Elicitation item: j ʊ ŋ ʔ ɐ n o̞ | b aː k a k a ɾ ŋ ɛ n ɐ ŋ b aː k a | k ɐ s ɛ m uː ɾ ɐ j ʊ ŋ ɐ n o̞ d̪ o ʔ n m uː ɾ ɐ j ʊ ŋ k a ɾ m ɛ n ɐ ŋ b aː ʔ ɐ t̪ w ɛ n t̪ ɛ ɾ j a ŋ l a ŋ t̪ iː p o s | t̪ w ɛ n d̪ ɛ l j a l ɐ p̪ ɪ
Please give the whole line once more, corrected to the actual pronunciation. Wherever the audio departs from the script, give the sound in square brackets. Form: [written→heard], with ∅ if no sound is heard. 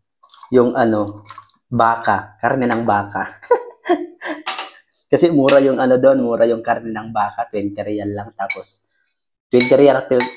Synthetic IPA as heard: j ʊ ŋ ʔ ɐ n o̞ | b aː k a k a ɾ [ŋ→n] ɛ n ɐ ŋ b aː k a | k ɐ s ɛ m uː ɾ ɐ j ʊ ŋ ɐ n o̞ d̪ o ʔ n m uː ɾ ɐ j ʊ ŋ k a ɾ [m→n] ɛ n ɐ ŋ b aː [ʔ→k] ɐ t̪ w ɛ n t̪ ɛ ɾ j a [ŋ→n] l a ŋ t̪ [iː→aː] p o s | t̪ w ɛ n [d̪→t̪] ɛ [l→ɾ] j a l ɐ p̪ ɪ